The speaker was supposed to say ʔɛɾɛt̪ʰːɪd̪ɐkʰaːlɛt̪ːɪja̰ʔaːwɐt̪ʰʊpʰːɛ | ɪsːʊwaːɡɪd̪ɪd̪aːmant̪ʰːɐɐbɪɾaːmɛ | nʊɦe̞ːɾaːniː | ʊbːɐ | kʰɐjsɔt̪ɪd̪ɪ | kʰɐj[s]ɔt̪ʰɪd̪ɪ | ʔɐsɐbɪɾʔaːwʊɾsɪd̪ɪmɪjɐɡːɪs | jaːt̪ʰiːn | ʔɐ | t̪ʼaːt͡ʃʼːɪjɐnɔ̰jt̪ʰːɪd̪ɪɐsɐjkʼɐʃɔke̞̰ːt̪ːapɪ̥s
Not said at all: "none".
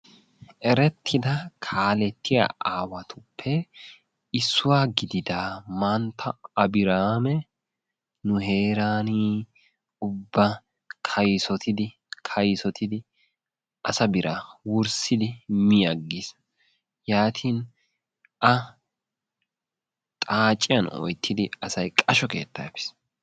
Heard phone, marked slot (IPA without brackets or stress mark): s